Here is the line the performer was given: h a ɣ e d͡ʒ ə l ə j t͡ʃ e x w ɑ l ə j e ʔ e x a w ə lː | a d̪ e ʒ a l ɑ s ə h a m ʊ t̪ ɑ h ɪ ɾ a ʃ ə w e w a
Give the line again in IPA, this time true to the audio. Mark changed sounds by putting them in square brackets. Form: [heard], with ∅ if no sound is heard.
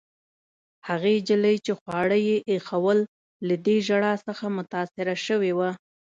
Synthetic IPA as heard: h a ɣ e d͡ʒ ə l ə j t͡ʃ e x w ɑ [ɽ] ə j e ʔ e x a w ə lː | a d̪ e ʒ a [ɽ] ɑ s ə [x] a m ʊ t̪ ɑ [s] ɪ ɾ a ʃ ə w e w a